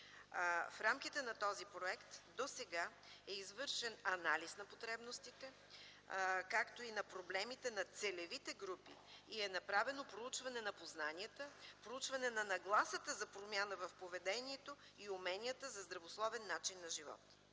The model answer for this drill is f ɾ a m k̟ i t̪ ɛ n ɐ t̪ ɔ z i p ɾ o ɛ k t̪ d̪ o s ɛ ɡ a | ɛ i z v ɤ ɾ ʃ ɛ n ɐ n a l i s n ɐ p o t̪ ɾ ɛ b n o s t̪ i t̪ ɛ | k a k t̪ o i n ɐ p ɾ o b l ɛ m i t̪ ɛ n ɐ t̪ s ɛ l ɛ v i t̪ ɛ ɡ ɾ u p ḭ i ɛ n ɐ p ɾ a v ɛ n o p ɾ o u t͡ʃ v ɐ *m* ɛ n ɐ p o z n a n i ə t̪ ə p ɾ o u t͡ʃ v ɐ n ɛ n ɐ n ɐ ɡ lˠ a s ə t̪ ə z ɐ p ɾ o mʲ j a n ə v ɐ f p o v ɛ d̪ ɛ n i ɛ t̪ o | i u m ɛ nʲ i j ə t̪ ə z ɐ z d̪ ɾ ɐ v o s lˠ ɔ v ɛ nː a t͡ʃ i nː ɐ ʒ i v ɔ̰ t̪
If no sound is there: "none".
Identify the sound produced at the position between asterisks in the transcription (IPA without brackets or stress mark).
n